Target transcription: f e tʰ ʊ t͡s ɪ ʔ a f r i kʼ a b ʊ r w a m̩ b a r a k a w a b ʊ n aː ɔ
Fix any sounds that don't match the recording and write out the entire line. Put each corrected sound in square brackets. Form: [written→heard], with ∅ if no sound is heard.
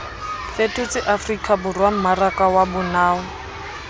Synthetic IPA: f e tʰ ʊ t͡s ɪ ʔ a f r i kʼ a b ʊ r w a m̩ [b→m] a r a k a w a b ʊ n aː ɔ